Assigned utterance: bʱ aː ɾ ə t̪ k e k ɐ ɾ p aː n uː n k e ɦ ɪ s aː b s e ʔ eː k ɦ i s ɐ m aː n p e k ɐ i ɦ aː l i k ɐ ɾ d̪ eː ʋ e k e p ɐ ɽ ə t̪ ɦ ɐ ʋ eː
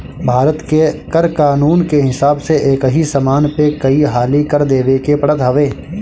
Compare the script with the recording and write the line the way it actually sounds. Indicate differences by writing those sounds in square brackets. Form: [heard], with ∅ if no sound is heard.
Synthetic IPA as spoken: bʱ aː ɾ ə t̪ k e k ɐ ɾ [k] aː n uː n k e ɦ ɪ s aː b s e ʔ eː k ɦ i s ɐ m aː n p e k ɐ i ɦ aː l i k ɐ ɾ d̪ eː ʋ e k e p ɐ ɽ ə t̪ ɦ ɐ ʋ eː